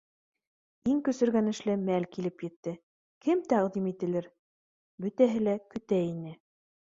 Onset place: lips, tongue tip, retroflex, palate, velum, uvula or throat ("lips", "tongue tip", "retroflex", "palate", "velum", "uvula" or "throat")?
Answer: velum